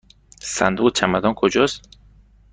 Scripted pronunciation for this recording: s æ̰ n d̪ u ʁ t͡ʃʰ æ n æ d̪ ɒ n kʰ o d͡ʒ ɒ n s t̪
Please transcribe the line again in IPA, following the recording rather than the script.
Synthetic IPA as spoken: s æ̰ n d̪ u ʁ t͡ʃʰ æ m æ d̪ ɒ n kʰ o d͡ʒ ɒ s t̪